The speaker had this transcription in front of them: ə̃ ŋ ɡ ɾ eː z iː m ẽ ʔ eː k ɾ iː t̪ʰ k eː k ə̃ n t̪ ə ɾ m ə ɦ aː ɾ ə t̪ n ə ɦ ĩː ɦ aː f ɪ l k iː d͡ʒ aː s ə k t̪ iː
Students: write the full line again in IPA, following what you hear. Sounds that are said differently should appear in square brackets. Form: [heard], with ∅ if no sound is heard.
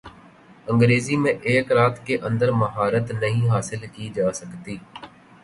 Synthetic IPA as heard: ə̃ ŋ ɡ ɾ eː z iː m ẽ ʔ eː k ɾ [aː] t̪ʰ k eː [ʔ] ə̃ n [d̪] ə ɾ m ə ɦ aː ɾ ə t̪ n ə ɦ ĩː ɦ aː [s] ɪ l k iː d͡ʒ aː s ə k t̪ iː